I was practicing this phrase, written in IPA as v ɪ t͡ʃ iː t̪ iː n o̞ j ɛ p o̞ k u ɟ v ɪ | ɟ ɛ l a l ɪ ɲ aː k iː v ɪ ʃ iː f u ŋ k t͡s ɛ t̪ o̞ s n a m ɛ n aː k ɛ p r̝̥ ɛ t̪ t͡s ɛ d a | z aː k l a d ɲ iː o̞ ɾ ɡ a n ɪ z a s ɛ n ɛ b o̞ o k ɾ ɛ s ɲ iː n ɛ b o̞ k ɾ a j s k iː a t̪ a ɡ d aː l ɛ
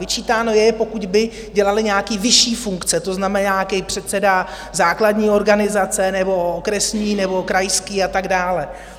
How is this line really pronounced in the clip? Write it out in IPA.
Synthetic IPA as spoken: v ɪ t͡ʃ iː t̪ aː n o̞ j ɛ p o̞ k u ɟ b ɪ | ɟ ɛ l a l ɪ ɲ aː k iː v ɪ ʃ iː f u ŋ k t͡s ɛ t̪ o̞ z n a m ɛ n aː k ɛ p r̝̥ ɛ t̪ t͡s ɛ d a | z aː k l a d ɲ iː o̞ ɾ ɡ a n ɪ z a t͡s ɛ n ɛ b o̞ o k ɾ ɛ s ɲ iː n ɛ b o̞ k ɾ a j s k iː a t̪ a ɡ d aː l ɛ